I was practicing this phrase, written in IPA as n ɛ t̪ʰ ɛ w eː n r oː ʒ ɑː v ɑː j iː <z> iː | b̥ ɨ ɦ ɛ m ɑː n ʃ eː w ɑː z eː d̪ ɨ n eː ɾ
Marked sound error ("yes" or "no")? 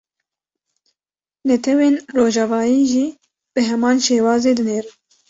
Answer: yes